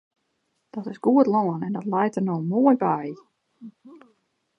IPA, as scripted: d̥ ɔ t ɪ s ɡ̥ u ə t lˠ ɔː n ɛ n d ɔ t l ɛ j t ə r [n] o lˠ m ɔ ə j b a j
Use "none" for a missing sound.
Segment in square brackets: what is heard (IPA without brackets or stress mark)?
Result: n